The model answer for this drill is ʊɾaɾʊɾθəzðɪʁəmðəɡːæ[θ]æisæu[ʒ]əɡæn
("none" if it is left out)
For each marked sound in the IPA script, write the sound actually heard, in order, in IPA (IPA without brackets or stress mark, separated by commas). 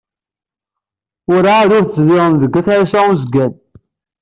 θ, z